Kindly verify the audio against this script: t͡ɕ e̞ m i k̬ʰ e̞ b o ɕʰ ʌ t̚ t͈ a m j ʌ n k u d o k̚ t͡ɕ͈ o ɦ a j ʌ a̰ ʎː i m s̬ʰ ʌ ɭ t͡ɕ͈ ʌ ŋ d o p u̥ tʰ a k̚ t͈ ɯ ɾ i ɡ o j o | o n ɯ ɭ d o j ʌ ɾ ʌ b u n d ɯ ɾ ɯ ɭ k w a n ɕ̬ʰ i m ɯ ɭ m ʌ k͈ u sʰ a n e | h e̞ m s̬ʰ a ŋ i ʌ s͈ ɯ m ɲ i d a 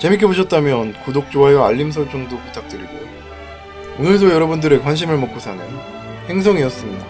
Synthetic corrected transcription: t͡ɕ e̞ m i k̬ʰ e̞ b o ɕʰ ʌ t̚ t͈ a m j ʌ n k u d o k̚ t͡ɕ͈ o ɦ a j ʌ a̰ ʎː i m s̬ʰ ʌ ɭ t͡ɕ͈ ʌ ŋ d o p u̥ tʰ a k̚ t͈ ɯ ɾ i ɡ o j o | o n ɯ ɭ d o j ʌ ɾ ʌ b u n d ɯ ɾ ɯ ɭ k w a n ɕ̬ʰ i m ɯ ɭ m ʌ k͈ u sʰ a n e | h e̞ ŋ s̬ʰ ʌ ŋ i ʌ s͈ ɯ m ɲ i d a